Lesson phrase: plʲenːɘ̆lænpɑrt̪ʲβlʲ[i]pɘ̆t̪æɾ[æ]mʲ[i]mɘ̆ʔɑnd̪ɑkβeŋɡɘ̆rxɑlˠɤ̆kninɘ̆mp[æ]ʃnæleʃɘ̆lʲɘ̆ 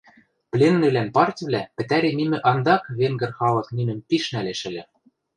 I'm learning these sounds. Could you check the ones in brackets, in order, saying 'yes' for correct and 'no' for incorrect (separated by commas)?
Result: no, no, yes, no